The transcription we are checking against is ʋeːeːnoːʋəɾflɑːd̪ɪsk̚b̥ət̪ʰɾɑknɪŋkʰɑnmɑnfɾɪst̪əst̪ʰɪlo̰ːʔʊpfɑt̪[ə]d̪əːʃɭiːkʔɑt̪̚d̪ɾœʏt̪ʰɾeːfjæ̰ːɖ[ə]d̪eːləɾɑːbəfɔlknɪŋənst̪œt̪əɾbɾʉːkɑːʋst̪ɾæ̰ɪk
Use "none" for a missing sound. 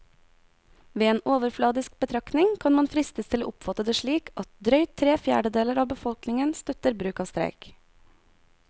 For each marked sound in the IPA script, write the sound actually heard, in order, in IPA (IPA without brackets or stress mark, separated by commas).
ə, ə